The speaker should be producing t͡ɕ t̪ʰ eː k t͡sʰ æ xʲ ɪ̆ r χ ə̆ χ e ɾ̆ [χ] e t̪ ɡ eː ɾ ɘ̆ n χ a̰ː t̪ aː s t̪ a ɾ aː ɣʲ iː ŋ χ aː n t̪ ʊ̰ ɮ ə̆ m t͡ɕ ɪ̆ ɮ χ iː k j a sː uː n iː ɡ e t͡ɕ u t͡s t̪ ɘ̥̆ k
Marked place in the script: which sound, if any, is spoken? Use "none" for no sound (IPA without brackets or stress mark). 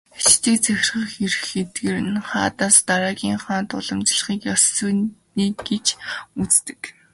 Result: x